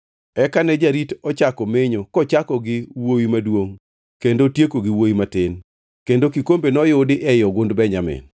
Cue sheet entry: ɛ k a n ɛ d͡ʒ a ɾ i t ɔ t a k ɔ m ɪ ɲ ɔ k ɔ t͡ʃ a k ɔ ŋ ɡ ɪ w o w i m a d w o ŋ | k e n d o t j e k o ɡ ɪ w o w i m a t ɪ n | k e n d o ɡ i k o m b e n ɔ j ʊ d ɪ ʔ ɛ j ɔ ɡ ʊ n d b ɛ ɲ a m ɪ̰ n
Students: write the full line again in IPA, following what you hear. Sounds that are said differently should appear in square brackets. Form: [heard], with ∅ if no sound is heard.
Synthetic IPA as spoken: ɛ k a n ɛ d͡ʒ a ɾ i t ɔ [t͡ʃ] a k ɔ m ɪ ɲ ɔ k ɔ t͡ʃ a k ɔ [∅] ɡ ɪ w o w i m a d w o ŋ | k e n d o t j e k o ɡ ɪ w o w i m a t ɪ n | k e n d o [k] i k o m b e n ɔ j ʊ d ɪ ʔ ɛ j ɔ ɡ ʊ n d b ɛ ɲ a m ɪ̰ n